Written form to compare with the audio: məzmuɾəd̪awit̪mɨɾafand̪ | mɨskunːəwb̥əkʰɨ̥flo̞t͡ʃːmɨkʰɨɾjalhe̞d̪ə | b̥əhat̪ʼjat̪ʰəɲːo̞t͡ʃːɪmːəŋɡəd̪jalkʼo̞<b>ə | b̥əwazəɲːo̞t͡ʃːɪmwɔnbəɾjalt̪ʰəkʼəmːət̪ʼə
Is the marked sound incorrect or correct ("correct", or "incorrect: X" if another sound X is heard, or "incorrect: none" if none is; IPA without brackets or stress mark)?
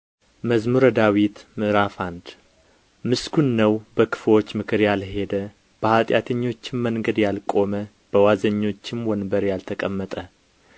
incorrect: m